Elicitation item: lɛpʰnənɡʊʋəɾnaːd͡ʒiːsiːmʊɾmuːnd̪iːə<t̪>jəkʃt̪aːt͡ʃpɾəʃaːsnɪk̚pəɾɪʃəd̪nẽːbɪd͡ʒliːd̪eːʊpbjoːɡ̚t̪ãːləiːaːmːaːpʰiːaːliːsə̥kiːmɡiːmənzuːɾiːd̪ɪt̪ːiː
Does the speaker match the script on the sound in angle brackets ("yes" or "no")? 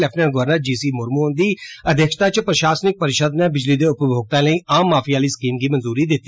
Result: no